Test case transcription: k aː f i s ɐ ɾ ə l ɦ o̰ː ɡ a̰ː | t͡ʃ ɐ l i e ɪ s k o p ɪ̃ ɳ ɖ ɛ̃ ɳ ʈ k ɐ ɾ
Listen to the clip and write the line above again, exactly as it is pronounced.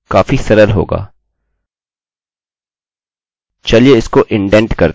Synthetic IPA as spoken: k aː f i s ɐ ɾ ə l ɦ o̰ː ɡ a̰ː | t͡ʃ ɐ l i e ɪ s k o ʔ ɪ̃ ɳ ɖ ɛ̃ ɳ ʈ k ɐ ɾ